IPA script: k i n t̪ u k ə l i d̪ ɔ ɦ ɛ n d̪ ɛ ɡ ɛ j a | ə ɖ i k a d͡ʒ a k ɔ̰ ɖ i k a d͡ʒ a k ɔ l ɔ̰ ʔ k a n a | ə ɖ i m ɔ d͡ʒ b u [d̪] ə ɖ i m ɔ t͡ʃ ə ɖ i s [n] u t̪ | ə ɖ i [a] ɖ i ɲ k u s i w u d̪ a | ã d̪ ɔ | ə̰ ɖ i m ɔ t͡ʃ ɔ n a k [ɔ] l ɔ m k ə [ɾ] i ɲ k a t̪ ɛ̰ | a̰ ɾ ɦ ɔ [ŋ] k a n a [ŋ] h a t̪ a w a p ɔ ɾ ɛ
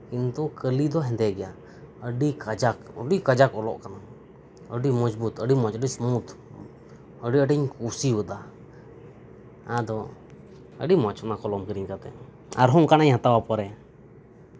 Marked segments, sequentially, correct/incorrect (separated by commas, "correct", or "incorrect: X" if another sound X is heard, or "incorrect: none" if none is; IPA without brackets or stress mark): incorrect: t̪, incorrect: m, incorrect: ə, correct, correct, correct, incorrect: ɲ